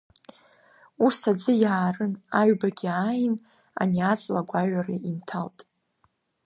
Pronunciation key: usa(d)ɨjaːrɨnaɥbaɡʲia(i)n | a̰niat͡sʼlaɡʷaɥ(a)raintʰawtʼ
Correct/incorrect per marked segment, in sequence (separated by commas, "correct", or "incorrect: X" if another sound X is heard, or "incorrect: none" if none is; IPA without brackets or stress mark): incorrect: d͡z, incorrect: j, correct